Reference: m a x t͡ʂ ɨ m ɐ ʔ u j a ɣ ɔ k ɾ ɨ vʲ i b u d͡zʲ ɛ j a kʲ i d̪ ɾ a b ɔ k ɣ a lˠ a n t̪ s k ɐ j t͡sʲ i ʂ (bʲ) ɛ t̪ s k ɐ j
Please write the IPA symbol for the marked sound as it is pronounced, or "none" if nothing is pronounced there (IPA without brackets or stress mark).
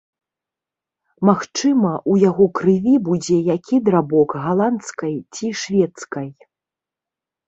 vʲ